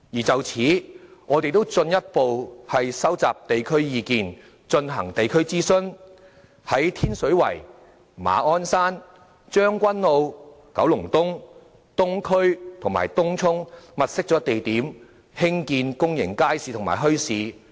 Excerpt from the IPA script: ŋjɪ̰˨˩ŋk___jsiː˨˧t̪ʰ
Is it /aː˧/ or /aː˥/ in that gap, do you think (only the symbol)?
aː˥